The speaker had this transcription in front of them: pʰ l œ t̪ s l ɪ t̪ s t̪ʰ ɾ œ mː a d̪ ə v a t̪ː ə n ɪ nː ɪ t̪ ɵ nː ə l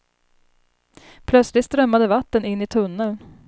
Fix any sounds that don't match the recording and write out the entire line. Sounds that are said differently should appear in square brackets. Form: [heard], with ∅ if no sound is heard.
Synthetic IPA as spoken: pʰ l œ t̪ s l ɪ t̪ s [t̪] ɾ œ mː a d̪ ə v a t̪ː ə n ɪ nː ɪ [t̪ʰ] ɵ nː ə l